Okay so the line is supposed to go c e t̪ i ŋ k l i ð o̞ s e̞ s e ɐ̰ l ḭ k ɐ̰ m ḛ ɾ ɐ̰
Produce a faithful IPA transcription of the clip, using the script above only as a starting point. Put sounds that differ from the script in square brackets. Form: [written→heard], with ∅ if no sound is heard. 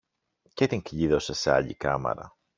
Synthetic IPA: c e t̪ i ŋ k [l→ʎ] i ð o̞ s e̞ s e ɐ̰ [l→ʎ] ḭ k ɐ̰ m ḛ ɾ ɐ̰